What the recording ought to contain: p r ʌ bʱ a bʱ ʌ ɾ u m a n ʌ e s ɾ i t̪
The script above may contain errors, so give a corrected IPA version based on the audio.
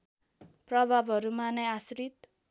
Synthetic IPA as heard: p r ʌ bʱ a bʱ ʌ ɾ u m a n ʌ a s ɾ i t̪